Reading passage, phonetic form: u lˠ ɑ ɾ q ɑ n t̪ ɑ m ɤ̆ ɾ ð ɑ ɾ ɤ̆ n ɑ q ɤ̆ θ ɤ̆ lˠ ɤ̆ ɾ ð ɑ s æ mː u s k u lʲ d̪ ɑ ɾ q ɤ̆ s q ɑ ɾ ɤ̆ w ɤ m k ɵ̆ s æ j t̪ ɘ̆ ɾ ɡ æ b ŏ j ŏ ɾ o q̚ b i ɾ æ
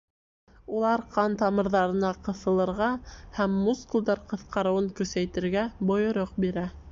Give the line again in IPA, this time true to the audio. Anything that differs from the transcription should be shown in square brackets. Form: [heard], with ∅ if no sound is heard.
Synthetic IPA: u lˠ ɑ ɾ q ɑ n t̪ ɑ m ɤ̆ ɾ ð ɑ ɾ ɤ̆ n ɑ q ɤ̆ θ ɤ̆ lˠ ɤ̆ ɾ [ʁ] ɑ [h] æ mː u s k u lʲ d̪ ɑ ɾ q ɤ̆ [θ] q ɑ ɾ ɤ̆ w ɤ [ŋ] k ɵ̆ s æ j t̪ ɘ̆ ɾ ɡ æ b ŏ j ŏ ɾ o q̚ b i ɾ æ